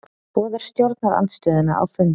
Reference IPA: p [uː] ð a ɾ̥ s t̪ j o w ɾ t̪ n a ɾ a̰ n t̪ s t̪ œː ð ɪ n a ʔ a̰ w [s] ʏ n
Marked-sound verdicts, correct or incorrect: incorrect: ɔː, incorrect: f

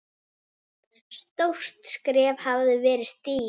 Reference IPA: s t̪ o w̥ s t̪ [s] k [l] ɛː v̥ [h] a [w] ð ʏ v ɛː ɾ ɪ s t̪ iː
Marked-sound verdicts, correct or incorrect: correct, incorrect: ɾ, correct, incorrect: v

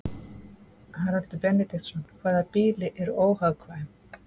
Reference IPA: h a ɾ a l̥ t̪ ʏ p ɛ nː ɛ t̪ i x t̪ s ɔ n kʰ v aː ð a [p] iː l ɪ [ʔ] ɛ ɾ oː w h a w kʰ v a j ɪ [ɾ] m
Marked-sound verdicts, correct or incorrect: correct, correct, incorrect: none

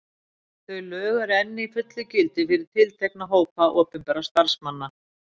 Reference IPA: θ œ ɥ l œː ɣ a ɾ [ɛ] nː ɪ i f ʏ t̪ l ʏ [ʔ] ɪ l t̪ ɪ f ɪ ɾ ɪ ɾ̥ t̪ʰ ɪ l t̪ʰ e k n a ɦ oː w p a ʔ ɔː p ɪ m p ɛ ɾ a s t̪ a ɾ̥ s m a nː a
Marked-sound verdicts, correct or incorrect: correct, incorrect: c

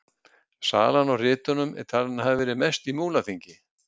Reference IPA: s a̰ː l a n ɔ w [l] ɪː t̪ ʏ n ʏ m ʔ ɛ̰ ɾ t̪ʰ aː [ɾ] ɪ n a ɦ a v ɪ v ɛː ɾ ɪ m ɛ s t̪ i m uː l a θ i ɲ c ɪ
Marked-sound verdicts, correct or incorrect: incorrect: r, incorrect: l

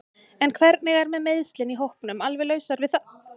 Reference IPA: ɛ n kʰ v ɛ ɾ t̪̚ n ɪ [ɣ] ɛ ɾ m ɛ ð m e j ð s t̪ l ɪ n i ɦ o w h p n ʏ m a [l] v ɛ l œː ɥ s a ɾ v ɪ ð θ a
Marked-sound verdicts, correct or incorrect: correct, correct

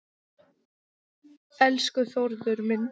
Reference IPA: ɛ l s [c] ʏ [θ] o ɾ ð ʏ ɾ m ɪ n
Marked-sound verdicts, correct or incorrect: incorrect: k, correct

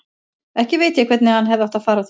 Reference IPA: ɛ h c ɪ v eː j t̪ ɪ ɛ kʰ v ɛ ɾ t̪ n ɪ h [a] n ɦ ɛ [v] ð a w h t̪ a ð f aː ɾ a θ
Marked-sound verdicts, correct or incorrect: correct, correct

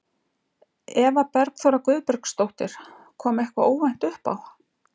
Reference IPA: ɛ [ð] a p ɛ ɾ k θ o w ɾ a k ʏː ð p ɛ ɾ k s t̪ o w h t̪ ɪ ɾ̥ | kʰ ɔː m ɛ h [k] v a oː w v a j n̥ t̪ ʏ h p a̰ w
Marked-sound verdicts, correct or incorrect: incorrect: v, correct

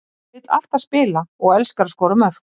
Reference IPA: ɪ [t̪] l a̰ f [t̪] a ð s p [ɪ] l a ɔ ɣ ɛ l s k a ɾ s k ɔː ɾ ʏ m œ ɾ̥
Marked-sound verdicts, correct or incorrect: correct, correct, incorrect: ɪː

